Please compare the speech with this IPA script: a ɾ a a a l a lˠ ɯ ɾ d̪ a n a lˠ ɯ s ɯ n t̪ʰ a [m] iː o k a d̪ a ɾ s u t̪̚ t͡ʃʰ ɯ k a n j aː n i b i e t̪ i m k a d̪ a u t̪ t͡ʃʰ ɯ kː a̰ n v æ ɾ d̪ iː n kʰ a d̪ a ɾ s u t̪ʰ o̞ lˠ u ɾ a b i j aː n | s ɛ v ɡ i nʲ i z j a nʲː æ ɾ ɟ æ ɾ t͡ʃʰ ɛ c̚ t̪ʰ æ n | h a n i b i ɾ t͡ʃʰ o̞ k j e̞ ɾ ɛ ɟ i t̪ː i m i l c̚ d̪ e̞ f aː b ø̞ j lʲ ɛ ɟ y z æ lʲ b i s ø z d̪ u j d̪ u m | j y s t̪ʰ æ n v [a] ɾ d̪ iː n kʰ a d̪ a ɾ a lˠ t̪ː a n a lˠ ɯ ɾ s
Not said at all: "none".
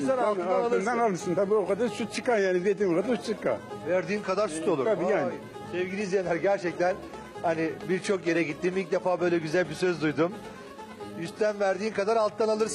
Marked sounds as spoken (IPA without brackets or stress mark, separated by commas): b, æ